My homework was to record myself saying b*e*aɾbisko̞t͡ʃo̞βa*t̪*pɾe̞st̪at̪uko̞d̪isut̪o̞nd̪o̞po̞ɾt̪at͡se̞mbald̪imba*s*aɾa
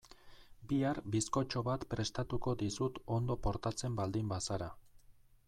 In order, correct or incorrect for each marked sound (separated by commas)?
incorrect, correct, correct